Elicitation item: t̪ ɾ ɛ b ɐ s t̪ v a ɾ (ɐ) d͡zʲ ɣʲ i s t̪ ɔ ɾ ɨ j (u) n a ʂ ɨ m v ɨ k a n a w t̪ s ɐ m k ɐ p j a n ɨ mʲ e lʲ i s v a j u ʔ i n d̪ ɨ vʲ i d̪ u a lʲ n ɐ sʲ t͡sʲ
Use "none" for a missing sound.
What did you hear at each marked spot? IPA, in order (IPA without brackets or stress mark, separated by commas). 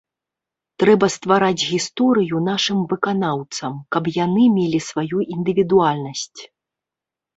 a, u